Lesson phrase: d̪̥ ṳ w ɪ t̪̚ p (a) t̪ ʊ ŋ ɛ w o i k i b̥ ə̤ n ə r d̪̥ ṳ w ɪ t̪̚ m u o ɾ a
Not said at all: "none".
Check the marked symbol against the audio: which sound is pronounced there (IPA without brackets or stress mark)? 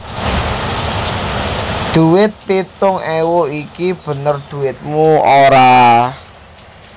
i